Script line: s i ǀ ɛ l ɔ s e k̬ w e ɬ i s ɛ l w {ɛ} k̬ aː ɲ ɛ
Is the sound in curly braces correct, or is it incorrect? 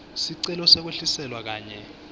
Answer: incorrect